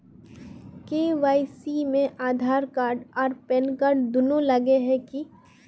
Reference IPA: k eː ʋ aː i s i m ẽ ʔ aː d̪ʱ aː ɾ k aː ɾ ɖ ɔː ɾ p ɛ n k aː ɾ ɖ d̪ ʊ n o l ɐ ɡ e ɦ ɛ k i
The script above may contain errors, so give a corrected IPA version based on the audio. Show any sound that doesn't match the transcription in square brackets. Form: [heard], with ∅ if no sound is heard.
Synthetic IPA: k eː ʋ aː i s i m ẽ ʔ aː d̪ʱ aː ɾ k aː ɾ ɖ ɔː ɾ p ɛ n k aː ɾ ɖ d̪ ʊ n o l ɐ ɡ e ɦ ɛ k i